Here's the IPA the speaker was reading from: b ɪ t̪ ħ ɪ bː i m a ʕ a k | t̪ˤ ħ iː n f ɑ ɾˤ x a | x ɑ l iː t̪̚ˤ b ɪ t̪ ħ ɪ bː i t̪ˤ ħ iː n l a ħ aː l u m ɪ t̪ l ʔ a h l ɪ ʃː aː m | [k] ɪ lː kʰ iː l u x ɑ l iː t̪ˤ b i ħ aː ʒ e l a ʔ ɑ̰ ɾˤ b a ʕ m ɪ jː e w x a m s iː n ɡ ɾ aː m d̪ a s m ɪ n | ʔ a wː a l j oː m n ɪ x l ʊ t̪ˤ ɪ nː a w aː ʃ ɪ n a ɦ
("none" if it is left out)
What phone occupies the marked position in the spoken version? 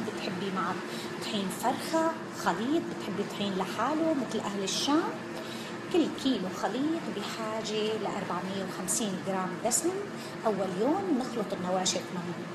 k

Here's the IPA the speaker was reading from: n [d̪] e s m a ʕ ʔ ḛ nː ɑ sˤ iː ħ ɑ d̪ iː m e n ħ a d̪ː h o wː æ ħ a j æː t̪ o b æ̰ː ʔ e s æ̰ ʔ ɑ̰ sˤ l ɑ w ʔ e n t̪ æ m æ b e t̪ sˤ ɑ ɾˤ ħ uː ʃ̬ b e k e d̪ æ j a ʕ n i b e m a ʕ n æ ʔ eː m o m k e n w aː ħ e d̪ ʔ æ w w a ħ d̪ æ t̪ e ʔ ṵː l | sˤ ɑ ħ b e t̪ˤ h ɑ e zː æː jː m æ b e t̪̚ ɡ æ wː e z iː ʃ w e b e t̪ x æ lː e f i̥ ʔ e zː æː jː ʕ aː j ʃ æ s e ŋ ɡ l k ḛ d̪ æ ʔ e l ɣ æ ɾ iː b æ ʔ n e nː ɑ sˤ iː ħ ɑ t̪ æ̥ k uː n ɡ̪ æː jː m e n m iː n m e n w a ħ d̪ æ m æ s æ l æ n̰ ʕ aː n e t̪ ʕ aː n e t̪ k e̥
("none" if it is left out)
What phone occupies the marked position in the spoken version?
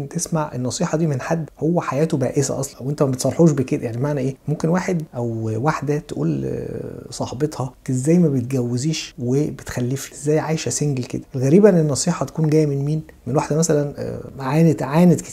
t̪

